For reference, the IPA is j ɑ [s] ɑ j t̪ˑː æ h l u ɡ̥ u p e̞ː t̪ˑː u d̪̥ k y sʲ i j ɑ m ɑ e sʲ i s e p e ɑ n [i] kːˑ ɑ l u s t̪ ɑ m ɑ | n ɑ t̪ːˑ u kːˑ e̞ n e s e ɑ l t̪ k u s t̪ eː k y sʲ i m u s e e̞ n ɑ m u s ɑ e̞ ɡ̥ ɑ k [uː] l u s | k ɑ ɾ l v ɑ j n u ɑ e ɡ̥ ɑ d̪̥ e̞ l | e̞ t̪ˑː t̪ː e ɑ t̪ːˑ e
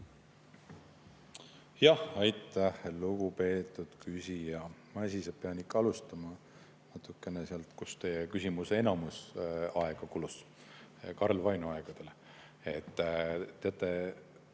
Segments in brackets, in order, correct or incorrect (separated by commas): incorrect, correct, incorrect